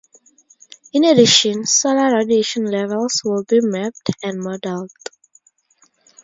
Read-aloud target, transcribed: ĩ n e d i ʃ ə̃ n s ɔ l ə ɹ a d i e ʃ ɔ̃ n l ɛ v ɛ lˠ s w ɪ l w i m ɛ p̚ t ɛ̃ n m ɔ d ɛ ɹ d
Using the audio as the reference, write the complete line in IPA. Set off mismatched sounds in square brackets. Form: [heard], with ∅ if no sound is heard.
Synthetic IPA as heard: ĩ n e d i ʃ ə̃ n s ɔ l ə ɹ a d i e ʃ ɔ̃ n l ɛ v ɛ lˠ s w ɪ l [b] i m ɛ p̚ t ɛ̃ n m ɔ d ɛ [l] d

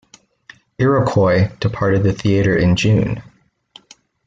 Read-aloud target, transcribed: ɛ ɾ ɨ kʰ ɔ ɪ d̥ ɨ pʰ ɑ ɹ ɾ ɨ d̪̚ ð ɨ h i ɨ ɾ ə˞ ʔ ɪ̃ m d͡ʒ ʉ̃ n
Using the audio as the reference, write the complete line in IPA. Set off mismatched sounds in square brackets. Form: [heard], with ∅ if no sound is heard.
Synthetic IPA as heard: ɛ [ɹ] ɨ kʰ ɔ ɪ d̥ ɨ pʰ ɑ ɹ ɾ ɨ d̪̚ ð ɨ [θ] i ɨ ɾ ə˞ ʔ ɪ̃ [n] d͡ʒ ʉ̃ n

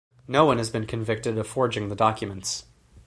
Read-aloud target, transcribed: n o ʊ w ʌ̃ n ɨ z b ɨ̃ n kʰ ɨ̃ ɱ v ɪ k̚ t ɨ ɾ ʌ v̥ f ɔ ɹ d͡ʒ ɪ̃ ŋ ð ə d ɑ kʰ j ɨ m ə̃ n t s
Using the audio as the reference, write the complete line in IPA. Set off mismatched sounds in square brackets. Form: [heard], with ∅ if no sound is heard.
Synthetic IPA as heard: n o ʊ w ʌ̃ n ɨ z b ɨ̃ n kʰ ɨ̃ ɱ v ɪ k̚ t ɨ ɾ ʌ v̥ f ɔ ɹ d͡ʒ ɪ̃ ŋ ð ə d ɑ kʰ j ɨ m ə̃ n t s

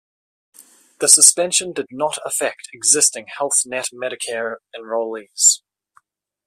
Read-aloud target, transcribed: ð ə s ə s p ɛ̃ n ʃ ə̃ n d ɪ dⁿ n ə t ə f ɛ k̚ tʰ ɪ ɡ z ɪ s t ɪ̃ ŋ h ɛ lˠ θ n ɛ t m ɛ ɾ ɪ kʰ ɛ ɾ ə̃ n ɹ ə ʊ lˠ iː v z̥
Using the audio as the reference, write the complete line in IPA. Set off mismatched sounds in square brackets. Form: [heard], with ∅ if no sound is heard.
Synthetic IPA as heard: ð ə s ə s p ɛ̃ n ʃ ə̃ n d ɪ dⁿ n ə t ə f ɛ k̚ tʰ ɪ ɡ z ɪ s t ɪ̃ ŋ h ɛ lˠ θ n ɛ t m ɛ ɾ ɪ kʰ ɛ [ɹ] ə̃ n ɹ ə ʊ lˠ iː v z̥

